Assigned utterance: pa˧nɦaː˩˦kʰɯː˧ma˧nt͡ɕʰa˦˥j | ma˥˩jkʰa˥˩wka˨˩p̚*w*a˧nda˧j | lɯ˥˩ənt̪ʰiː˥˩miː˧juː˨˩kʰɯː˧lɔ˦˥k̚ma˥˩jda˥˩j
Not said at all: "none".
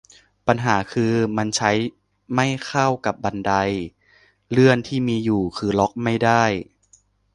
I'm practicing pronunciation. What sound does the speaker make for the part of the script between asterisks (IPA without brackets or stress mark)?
b